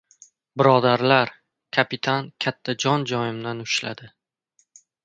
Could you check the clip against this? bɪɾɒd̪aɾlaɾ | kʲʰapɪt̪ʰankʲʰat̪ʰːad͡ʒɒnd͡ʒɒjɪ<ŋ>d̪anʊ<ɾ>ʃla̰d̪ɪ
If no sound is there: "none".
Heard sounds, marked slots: m, none

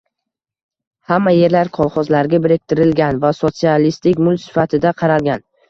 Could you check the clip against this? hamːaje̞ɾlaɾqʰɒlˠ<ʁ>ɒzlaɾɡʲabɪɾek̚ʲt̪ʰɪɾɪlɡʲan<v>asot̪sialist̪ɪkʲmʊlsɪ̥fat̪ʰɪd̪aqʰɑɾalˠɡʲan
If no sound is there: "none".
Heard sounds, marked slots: χ, v

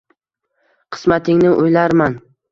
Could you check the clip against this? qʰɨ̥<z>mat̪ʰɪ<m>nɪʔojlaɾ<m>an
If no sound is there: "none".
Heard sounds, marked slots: s, ŋ, m

